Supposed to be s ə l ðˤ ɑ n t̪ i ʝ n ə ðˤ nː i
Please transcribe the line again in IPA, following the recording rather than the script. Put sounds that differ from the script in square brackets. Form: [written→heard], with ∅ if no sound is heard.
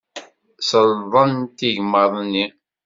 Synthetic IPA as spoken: s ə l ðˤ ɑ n t̪ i ʝ [n→m] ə ðˤ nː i